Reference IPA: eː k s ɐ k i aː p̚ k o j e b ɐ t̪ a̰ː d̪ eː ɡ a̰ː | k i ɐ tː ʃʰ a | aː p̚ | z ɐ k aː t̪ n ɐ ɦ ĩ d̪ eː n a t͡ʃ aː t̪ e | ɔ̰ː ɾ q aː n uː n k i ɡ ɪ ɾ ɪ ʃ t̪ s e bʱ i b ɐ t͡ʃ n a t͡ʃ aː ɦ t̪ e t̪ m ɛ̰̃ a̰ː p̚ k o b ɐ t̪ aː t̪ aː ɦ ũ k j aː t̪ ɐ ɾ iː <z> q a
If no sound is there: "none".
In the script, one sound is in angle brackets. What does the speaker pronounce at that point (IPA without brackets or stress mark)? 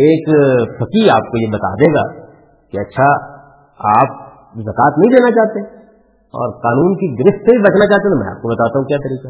none